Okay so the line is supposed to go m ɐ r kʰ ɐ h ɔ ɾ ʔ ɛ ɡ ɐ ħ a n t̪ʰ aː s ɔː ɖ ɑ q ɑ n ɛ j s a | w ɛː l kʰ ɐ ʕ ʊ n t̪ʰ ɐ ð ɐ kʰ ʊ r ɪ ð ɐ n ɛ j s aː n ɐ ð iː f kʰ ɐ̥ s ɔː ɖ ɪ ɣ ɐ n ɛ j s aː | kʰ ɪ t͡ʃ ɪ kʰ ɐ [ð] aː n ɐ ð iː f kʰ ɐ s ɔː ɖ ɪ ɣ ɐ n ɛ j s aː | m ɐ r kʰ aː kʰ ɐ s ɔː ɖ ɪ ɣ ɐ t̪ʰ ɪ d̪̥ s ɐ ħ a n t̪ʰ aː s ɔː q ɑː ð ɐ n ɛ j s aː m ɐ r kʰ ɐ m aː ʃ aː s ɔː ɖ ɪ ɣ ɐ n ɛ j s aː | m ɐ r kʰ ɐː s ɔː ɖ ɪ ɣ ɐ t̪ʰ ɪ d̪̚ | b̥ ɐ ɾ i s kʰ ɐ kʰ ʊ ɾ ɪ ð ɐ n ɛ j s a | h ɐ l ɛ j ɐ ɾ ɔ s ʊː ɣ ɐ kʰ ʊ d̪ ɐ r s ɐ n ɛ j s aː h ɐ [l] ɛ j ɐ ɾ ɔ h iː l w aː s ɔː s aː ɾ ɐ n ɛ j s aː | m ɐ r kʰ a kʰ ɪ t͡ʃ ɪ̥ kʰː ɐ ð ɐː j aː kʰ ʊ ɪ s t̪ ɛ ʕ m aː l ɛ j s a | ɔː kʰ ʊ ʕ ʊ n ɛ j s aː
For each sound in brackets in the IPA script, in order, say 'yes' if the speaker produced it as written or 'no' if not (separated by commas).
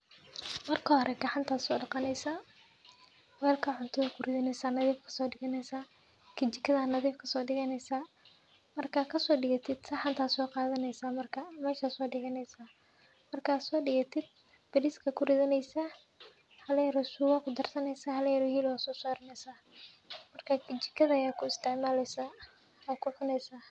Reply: yes, yes